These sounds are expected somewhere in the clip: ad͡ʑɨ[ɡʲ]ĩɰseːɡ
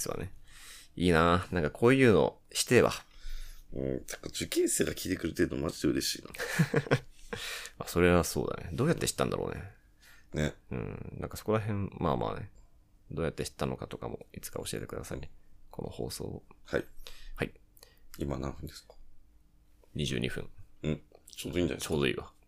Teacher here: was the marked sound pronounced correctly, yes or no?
no